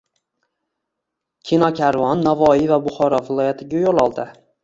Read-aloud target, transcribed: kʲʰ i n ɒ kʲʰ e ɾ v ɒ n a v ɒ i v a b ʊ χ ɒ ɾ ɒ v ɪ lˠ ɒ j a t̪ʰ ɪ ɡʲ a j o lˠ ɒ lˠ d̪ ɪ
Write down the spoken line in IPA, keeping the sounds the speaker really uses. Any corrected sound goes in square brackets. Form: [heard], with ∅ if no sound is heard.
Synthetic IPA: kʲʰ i n ɒ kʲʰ [a] ɾ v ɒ [nː] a v ɒ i v a b ʊ χ ɒ ɾ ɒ v ɪ lˠ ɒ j a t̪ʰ ɪ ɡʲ a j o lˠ ɒ lˠ d̪ ɪ